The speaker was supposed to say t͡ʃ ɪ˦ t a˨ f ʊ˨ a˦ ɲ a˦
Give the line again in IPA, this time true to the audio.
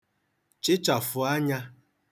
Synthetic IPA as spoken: t͡ʃ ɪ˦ t͡ʃ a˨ f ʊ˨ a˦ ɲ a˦